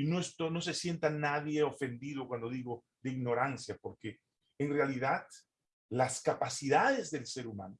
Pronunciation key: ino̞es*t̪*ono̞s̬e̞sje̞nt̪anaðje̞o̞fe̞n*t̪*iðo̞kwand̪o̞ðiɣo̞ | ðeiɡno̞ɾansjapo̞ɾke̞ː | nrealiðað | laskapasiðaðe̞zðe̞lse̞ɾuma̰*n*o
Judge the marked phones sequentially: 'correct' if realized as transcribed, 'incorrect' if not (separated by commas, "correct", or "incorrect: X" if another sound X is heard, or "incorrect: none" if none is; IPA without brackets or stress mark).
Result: correct, incorrect: d̪, correct